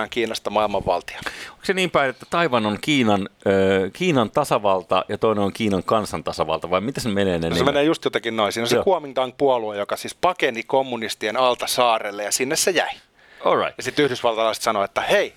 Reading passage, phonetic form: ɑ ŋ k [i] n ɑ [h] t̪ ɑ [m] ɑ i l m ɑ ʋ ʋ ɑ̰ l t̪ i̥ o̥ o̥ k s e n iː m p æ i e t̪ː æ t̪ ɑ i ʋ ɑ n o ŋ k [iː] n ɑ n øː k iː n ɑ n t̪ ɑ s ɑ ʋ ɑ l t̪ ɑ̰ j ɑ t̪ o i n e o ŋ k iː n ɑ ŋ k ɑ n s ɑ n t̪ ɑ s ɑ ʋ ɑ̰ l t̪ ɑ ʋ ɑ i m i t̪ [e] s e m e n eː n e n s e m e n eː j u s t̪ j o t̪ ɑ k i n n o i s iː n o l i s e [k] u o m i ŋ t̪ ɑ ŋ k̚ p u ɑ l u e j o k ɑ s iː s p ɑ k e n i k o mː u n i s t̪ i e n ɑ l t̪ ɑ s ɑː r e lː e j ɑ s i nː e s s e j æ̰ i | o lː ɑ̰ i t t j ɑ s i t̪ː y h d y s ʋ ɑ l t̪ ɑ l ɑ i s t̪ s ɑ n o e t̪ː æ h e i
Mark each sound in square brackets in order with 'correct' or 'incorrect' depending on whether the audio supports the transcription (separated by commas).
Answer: incorrect, incorrect, correct, correct, incorrect, correct